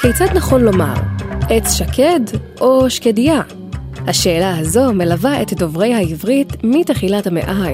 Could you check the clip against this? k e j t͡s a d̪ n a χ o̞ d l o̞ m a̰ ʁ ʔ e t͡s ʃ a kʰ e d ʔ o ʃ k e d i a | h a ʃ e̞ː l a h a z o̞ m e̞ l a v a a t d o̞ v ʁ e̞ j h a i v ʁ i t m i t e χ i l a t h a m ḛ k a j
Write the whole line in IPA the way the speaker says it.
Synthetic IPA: k e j t͡s a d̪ n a χ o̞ n l o̞ m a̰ ʁ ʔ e t͡s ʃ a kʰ e d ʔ o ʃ k e d i a | h a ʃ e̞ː l a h a z o̞ m e̞ l a v a e t d o̞ v ʁ e̞ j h a i v ʁ i t m i t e χ i l a t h a m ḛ ʔ a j